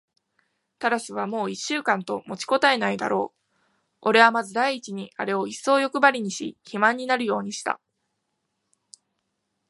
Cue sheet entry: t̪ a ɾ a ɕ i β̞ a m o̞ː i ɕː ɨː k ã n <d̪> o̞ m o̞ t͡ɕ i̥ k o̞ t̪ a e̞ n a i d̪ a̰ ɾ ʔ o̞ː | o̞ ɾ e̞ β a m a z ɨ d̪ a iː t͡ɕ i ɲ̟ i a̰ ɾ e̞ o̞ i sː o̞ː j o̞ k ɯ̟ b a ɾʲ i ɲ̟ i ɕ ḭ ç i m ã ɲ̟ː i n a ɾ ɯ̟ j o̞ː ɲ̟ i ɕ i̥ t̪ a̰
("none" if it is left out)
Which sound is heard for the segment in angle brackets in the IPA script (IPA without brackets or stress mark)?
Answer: t̪